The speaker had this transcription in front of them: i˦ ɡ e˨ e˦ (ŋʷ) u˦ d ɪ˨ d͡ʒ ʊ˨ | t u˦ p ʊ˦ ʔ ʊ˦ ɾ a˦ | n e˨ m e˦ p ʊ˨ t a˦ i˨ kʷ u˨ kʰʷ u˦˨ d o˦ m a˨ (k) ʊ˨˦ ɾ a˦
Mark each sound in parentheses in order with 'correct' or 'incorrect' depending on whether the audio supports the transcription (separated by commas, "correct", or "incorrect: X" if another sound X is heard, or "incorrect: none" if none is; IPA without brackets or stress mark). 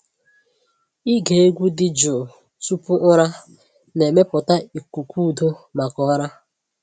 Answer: incorrect: ɡʷ, correct